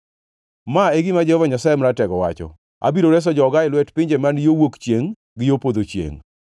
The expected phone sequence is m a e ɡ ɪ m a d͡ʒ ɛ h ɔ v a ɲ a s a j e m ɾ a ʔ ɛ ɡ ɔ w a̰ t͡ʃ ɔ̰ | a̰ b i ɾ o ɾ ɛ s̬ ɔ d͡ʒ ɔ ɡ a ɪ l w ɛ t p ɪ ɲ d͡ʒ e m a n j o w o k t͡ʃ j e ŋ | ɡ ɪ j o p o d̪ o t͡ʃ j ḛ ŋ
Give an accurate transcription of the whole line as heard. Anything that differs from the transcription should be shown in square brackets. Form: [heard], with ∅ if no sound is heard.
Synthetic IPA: m a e ɡ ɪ m a d͡ʒ ɛ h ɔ v a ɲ a s a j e m ɾ a [t] ɛ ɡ ɔ w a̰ t͡ʃ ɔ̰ | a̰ b i ɾ o ɾ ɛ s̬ ɔ d͡ʒ ɔ ɡ a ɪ l w ɛ t p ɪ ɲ d͡ʒ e m a n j o w o k t͡ʃ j e ŋ | ɡ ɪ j o p o d̪ o t͡ʃ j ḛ ŋ